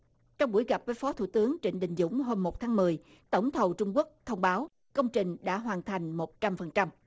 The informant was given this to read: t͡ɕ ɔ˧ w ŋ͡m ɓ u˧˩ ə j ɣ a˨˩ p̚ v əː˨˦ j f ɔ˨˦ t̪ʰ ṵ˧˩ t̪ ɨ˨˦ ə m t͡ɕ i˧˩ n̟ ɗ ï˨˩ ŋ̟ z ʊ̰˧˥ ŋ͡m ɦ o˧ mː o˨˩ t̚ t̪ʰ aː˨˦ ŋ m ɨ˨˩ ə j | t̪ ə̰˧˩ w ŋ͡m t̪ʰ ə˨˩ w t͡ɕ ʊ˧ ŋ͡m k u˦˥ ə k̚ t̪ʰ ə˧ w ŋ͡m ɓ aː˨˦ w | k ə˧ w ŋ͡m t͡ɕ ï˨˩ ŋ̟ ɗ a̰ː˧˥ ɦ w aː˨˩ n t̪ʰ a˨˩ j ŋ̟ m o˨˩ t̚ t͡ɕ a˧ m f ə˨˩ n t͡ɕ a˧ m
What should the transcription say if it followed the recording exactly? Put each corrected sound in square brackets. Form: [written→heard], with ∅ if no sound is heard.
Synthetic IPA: t͡ɕ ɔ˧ w ŋ͡m ɓ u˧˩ ə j ɣ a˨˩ p̚ v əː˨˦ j f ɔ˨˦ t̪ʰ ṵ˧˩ t̪ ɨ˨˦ ə [m→ŋ] t͡ɕ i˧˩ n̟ ɗ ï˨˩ ŋ̟ z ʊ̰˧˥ ŋ͡m ɦ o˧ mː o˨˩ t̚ t̪ʰ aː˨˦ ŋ m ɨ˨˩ ə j | t̪ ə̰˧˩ w ŋ͡m t̪ʰ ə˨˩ w t͡ɕ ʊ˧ ŋ͡m k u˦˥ ə k̚ t̪ʰ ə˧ w ŋ͡m ɓ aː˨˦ w | k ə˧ w ŋ͡m t͡ɕ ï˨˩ ŋ̟ ɗ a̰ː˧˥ ɦ w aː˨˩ n t̪ʰ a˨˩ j ŋ̟ m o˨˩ t̚ t͡ɕ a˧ m f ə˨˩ n t͡ɕ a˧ m

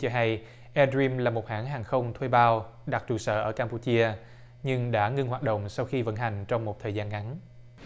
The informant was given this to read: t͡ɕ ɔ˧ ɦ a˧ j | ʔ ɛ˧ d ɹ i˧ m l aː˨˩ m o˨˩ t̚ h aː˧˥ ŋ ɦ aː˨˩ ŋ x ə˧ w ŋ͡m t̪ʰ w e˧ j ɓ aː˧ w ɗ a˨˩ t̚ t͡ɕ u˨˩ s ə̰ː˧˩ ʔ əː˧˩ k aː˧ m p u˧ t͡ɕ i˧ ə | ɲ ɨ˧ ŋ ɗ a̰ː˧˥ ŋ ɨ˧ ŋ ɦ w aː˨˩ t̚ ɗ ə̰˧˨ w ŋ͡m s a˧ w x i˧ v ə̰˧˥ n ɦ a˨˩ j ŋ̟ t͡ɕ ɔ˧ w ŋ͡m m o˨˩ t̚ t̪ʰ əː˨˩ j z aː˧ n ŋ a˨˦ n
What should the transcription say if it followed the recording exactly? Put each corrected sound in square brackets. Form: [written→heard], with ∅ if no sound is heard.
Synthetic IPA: t͡ɕ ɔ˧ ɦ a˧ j | ʔ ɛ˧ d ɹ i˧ m l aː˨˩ m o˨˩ t̚ h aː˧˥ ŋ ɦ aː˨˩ ŋ x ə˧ w ŋ͡m t̪ʰ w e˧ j ɓ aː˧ w ɗ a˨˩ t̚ t͡ɕ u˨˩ s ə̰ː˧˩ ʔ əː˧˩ k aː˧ m p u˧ t͡ɕ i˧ ə | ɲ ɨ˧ ŋ ɗ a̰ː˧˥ ŋ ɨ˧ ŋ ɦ w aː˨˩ t̚ ɗ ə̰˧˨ w ŋ͡m s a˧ w x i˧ v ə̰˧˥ n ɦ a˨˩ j ŋ̟ t͡ɕ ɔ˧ w ŋ͡m m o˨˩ t̚ t̪ʰ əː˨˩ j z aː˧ n ŋ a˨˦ n

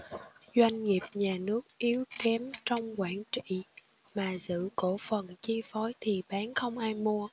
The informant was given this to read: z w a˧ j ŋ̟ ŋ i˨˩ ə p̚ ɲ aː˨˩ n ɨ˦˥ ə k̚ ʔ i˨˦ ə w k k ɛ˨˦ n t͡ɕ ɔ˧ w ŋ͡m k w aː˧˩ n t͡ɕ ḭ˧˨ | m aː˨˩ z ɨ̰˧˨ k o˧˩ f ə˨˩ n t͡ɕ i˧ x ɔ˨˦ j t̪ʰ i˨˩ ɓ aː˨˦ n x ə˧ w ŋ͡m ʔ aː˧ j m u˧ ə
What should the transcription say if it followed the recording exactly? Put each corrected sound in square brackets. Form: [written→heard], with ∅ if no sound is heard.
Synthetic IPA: z w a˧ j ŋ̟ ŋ i˨˩ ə p̚ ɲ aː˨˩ n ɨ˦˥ ə k̚ ʔ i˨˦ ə w k k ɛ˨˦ [n→m] t͡ɕ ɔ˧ w ŋ͡m k w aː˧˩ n t͡ɕ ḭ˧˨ | m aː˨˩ z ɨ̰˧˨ k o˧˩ f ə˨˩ n t͡ɕ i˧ [x→f] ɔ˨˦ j t̪ʰ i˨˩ ɓ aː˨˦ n x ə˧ w ŋ͡m ʔ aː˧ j m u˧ ə

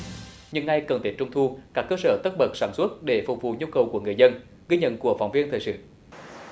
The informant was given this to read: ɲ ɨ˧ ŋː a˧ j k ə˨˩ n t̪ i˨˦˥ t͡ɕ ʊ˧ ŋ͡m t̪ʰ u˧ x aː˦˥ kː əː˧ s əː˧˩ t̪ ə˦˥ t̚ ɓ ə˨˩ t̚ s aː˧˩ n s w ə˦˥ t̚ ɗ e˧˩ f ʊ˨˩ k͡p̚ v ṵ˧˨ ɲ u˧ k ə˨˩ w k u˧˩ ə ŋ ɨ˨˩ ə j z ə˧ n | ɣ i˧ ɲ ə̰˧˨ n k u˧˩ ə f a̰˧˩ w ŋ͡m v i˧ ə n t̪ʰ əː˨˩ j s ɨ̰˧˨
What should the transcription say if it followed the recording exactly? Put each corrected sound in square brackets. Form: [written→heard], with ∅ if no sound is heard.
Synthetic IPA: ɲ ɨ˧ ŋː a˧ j k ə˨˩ n t̪ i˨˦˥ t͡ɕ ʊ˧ ŋ͡m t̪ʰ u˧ [x→k] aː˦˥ kː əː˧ s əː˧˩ t̪ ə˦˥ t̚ ɓ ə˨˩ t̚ s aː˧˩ n s w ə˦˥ t̚ ɗ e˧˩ f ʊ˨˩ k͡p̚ v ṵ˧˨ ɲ u˧ k ə˨˩ w k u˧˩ ə ŋ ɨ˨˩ ə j z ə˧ n | ɣ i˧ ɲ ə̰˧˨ n k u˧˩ ə f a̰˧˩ w ŋ͡m v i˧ ə n t̪ʰ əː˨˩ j s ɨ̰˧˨

